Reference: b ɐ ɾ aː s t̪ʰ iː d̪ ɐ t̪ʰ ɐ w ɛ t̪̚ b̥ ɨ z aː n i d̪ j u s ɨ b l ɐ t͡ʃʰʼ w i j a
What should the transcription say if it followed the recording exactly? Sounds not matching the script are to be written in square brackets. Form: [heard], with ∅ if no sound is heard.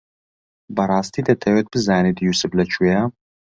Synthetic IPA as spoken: b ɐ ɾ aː s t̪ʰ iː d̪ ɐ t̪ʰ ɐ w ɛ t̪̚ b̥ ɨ z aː n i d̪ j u s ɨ b l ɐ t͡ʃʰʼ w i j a